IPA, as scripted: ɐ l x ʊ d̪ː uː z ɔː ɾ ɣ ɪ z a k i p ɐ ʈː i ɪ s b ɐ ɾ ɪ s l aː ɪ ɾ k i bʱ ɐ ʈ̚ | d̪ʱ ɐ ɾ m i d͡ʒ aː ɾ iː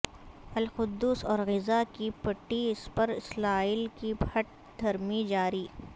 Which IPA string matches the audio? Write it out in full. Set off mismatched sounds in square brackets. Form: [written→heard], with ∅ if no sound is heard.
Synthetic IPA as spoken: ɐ l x ʊ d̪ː uː [z→s] ɔː ɾ ɣ ɪ z a k i p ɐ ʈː i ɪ s [b→p] ɐ ɾ ɪ s l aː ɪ [ɾ→l] k i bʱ ɐ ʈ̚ | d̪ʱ ɐ ɾ m i d͡ʒ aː ɾ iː